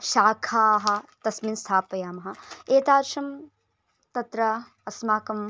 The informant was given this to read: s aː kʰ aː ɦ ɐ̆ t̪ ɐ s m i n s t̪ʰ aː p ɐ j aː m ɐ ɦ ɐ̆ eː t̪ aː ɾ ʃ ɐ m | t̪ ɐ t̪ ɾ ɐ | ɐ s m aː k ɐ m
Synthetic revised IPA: ʃ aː kʰ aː ɦ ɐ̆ t̪ ɐ s m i n s t̪ʰ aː p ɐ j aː m ɐ ɦ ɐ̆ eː t̪ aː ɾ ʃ ɐ m | t̪ ɐ t̪ ɾ ɐ | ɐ s m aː k ɐ m